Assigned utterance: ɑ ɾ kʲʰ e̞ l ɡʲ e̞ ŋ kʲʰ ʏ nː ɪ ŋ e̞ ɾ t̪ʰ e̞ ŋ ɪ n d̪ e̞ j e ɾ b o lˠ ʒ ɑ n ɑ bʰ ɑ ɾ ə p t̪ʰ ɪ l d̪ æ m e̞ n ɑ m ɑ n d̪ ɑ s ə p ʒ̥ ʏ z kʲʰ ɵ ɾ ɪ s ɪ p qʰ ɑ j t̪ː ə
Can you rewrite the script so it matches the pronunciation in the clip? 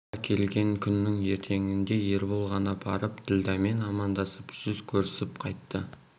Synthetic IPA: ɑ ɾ kʲʰ e̞ l ɡʲ e̞ ŋ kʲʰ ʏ nː ɪ ŋ e̞ ɾ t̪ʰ e̞ ŋ ɪ n d̪ e̞ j e ɾ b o lˠ ʁ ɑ n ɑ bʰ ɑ ɾ ə p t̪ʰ ɪ l d̪ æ m e̞ n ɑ m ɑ n d̪ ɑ s ə p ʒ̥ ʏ z kʲʰ ɵ ɾ ɪ s ɪ p qʰ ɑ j t̪ː ə